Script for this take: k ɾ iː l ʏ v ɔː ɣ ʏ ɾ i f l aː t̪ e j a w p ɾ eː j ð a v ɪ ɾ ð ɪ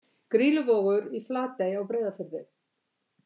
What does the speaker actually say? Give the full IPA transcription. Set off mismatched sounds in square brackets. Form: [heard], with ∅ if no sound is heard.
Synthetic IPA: k ɾ iː l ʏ v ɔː ɣ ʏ ɾ i f l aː t̪ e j a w p ɾ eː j ð a [f] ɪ ɾ ð ɪ

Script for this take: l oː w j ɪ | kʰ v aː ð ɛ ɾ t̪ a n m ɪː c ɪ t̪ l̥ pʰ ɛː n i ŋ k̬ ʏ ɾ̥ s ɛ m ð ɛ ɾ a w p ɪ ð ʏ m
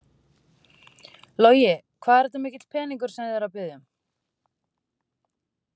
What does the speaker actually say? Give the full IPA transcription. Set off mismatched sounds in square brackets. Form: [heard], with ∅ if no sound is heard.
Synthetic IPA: l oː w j ɪ | kʰ v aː ð ɛ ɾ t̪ a [∅] m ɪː c ɪ t̪ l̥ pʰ ɛː n i ŋ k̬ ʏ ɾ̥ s ɛ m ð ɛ ɾ a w p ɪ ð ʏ m

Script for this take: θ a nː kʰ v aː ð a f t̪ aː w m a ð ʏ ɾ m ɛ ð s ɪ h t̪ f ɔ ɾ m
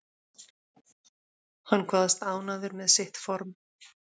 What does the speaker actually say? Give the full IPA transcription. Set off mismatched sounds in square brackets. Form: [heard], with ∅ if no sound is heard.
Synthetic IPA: [h] a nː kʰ v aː ð a [s] t̪ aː w [n] a ð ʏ ɾ m ɛ ð s ɪ h t̪ f ɔ ɾ m

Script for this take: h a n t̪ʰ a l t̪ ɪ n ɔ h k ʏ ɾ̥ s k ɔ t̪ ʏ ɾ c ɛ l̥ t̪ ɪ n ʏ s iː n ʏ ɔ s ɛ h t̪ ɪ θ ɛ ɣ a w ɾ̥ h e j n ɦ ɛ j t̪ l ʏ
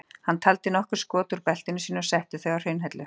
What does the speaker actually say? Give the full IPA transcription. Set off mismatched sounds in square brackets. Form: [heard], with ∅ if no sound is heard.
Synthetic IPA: h a n t̪ʰ a l t̪ ɪ n ɔ h k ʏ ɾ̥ s k [ɔː] t̪ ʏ ɾ [p] ɛ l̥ t̪ ɪ n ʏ s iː n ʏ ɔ s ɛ h t̪ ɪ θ [œ] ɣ a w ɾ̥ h e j n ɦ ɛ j t̪ l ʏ

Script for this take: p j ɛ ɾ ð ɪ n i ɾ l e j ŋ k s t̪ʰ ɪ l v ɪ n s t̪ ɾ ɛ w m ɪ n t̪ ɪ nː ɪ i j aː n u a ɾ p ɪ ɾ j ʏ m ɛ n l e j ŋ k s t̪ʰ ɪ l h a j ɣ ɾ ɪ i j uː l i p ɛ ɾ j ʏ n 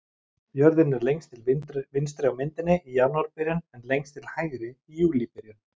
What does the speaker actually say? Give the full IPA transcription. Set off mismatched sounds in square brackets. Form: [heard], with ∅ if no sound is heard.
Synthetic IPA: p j [œ] ɾ ð ɪ n [ɛ] ɾ l e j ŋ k s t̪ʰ ɪ l v ɪ n s t̪ ɾ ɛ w m ɪ n t̪ ɪ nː ɪ i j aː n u a ɾ p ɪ ɾ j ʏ [n] ɛ n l e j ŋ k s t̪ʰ ɪ l h a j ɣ ɾ ɪ i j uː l i p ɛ ɾ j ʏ n

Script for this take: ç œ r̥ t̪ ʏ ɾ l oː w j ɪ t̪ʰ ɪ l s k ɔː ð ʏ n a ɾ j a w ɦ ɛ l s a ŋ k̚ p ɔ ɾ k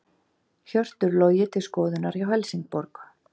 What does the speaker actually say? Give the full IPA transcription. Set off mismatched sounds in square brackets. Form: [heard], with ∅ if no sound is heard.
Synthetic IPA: ç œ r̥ t̪ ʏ ɾ l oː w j ɪ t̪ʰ ɪ l s k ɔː ð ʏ n a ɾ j a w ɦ ɛ l s [i] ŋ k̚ p ɔ ɾ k

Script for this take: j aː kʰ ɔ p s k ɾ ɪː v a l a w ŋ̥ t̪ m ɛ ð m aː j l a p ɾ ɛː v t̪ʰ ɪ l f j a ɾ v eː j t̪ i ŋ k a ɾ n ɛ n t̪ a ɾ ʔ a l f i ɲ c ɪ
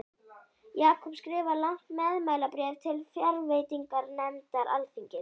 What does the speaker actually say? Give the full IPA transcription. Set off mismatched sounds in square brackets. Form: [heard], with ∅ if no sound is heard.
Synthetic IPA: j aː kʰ ɔ p s k ɾ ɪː v a l a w ŋ̥ t̪ m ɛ ð m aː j l a p ɾ ɛː v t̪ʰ ɪ l f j a ɾ v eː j t̪ i ŋ k a ɾ n ɛ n t̪ a ɾ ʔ a l f i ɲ c ɪ

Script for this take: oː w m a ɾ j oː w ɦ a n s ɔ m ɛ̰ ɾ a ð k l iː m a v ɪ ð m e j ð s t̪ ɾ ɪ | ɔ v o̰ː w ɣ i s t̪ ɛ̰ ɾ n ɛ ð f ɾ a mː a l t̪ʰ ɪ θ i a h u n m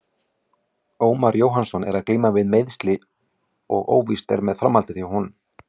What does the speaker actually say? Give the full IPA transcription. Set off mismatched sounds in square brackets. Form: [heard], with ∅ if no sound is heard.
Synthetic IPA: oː w m a ɾ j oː w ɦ a n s ɔ [n] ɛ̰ ɾ a ð k l iː m a v ɪ ð m e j ð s t̪ [l] ɪ | ɔ [ɣ] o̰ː w [v] i s t̪ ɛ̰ ɾ [m] ɛ ð f ɾ a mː a l [t̪] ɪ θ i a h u n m

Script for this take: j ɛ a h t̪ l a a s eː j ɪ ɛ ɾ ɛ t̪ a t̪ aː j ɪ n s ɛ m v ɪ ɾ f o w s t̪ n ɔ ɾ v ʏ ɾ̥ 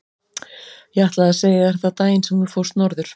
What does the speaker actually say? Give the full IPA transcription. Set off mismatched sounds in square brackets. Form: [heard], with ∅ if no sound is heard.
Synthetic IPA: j ɛ a h t̪ l a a s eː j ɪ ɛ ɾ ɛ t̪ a t̪ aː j ɪ n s ɛ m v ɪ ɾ f o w s t̪ n ɔ ɾ [ð] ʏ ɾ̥

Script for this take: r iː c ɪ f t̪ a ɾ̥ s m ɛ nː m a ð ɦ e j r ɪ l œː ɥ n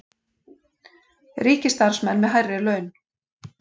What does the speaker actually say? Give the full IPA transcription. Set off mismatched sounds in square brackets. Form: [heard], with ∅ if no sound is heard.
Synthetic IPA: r iː c ɪ [s] t̪ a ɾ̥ s m ɛ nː m [ɛ] ð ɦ [a] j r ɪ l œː ɥ n

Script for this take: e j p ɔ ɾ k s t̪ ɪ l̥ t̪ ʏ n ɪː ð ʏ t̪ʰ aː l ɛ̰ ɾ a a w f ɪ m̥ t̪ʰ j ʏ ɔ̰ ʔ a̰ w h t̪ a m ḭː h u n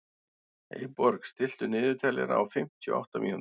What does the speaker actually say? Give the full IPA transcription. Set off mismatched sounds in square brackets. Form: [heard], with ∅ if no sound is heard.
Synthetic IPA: e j p ɔ ɾ k s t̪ ɪ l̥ t̪ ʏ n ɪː ð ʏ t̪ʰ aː l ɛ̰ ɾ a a w f ɪ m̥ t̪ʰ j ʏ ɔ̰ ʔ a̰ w h t̪ a m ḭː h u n

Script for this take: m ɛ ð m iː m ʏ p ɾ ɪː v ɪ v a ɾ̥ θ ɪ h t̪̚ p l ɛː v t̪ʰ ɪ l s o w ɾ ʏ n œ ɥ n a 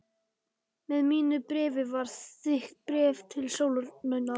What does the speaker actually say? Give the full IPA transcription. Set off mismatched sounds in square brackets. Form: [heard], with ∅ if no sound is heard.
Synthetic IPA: m ɛ ð m iː [n] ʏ p ɾ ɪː v ɪ v a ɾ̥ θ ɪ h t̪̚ p [ɾ] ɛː v t̪ʰ ɪ l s o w [l] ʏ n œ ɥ n a

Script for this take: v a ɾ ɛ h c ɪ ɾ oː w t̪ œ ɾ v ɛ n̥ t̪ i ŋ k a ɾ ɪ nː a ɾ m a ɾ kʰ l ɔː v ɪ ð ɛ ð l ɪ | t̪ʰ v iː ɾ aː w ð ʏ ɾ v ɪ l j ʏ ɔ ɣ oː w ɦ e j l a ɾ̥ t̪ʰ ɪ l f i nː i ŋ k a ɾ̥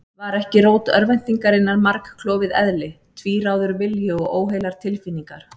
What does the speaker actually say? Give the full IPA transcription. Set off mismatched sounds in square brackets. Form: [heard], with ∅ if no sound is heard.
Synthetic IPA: v a ɾ ɛ h c ɪ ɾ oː w t̪ œ ɾ v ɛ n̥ t̪ i ŋ k a ɾ ɪ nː a ɾ m a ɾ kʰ l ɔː v ɪ ð ɛ ð l ɪ | t̪ʰ v iː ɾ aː w ð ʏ ɾ v ɪ l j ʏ ɔ ɣ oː w ɦ e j l a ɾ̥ t̪ʰ ɪ l f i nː i ŋ k a ɾ̥

